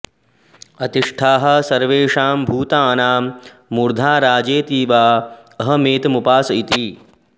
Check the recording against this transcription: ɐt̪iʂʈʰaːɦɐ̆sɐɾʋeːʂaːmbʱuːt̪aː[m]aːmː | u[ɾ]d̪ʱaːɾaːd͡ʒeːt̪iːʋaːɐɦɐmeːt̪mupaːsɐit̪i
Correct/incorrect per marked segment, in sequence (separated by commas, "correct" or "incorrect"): incorrect, correct